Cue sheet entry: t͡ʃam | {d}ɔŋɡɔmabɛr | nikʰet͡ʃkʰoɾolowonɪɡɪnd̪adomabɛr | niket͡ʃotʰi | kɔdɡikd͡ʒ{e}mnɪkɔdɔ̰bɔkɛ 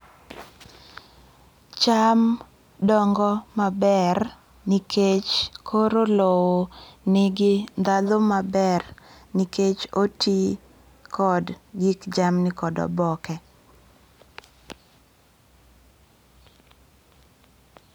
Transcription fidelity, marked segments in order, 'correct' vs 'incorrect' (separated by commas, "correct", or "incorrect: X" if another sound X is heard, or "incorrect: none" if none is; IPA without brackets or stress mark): correct, incorrect: a